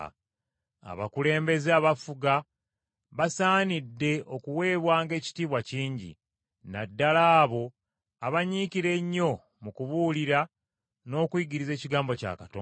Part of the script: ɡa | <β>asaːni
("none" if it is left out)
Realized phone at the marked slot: β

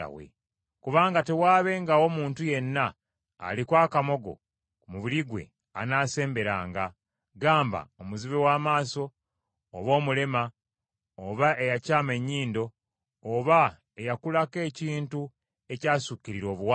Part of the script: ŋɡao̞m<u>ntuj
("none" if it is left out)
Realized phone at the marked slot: uː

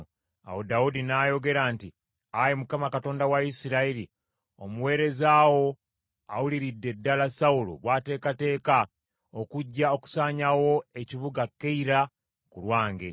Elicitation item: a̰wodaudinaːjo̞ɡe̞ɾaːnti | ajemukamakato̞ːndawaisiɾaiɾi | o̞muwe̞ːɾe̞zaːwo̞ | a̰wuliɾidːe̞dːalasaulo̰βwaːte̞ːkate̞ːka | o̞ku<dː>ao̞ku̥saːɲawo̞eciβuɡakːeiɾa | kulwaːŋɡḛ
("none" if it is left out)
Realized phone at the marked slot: ɟː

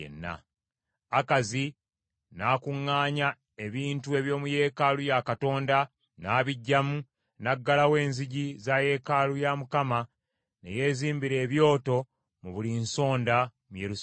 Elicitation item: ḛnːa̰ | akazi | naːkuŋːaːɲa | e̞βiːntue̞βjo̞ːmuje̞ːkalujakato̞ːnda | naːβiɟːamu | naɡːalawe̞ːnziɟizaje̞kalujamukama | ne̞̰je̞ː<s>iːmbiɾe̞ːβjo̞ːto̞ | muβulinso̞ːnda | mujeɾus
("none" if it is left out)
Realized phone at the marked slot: z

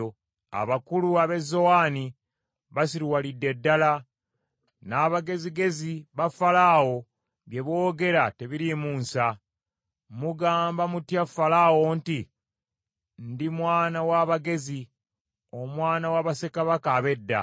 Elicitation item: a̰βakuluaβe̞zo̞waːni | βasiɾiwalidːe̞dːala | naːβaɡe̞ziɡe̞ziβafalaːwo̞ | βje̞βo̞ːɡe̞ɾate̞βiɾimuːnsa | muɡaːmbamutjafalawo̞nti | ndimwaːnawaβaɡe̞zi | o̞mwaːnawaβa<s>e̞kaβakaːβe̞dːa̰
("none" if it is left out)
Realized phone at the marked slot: s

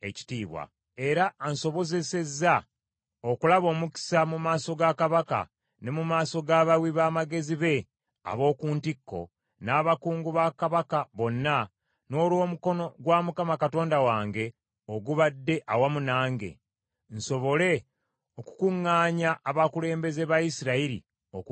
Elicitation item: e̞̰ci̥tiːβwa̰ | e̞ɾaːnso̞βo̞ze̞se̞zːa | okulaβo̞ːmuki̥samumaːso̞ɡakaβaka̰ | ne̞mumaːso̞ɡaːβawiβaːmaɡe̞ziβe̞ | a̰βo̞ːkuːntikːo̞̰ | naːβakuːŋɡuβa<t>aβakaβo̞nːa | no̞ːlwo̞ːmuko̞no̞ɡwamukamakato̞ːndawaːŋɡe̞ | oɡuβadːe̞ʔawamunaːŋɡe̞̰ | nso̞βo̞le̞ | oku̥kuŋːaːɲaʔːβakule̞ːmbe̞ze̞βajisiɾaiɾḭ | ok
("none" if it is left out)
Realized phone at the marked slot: k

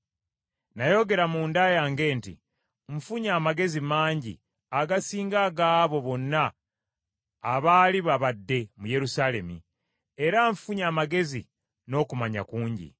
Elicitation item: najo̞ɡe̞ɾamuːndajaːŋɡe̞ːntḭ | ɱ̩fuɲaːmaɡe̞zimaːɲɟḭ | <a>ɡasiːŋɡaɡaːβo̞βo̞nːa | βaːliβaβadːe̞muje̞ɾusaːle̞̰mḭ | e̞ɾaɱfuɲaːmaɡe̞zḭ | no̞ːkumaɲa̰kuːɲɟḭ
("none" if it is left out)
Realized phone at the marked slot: a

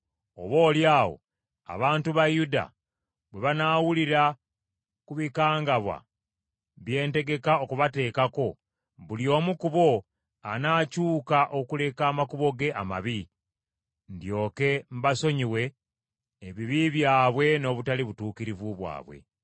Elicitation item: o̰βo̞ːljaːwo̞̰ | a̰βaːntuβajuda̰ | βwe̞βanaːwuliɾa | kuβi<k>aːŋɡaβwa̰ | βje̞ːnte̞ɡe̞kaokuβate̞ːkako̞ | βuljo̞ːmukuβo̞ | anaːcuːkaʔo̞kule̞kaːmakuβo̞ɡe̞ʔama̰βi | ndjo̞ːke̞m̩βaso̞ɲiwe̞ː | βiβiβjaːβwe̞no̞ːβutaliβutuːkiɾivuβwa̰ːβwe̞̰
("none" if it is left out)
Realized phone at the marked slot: k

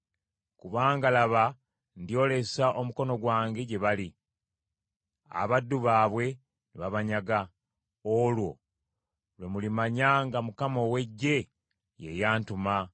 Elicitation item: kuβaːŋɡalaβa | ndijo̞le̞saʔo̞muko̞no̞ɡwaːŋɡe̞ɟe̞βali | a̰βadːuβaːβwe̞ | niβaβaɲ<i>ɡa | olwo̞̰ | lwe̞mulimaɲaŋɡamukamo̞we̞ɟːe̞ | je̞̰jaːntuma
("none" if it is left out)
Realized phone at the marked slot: a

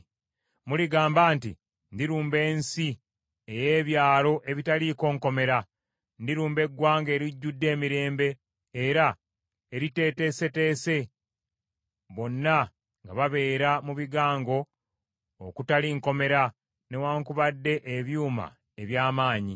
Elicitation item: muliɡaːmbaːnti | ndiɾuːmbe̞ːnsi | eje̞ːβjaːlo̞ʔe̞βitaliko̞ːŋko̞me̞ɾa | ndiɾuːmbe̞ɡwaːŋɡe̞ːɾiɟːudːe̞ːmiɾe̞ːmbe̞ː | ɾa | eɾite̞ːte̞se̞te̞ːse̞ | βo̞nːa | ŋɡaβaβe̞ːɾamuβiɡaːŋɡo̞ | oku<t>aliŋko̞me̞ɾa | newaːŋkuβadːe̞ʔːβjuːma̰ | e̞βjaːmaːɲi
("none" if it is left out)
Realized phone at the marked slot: t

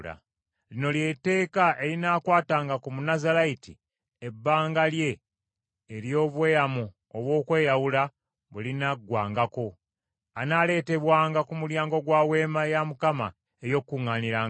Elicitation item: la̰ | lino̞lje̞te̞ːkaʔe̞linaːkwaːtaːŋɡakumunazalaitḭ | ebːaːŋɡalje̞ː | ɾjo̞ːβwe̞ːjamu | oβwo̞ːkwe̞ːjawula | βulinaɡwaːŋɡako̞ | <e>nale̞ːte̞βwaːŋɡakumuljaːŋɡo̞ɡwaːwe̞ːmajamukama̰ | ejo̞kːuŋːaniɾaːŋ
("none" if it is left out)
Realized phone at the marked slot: a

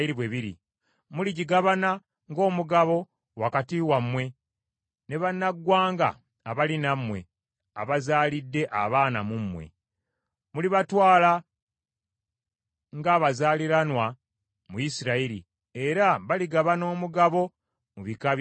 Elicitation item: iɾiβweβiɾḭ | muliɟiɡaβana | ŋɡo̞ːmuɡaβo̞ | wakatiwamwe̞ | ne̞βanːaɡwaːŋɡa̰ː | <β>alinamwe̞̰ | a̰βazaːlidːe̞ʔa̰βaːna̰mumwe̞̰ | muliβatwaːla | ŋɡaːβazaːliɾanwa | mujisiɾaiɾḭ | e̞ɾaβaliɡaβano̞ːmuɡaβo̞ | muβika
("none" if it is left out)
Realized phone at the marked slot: β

